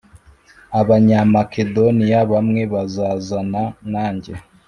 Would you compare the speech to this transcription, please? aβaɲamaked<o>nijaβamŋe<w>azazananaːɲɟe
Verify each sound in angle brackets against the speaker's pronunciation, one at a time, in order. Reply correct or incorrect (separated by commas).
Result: correct, incorrect